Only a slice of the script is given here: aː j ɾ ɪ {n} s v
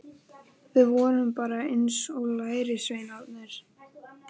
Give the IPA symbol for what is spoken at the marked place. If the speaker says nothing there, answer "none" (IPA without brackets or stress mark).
none